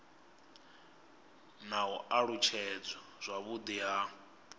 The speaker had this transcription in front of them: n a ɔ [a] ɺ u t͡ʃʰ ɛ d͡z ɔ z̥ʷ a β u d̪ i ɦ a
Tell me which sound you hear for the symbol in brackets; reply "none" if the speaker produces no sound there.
a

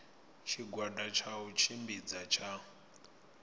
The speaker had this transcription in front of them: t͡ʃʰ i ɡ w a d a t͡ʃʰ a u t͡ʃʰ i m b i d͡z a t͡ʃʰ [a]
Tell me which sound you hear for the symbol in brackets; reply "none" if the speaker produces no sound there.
a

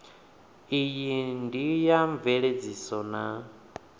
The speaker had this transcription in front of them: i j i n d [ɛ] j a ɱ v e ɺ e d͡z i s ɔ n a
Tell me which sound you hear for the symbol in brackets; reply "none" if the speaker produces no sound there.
i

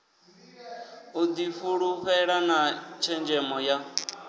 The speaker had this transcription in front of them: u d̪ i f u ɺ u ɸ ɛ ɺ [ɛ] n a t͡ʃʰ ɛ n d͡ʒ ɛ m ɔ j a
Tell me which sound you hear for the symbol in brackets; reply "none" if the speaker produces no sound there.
a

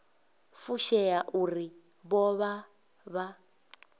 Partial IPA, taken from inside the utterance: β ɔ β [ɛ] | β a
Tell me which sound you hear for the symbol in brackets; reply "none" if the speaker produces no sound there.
a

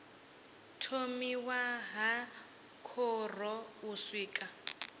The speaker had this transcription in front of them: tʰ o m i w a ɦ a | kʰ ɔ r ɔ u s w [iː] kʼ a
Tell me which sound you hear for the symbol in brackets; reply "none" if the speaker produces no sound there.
iː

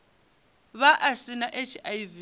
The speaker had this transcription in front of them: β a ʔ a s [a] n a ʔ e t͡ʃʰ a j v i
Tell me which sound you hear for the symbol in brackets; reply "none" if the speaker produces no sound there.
i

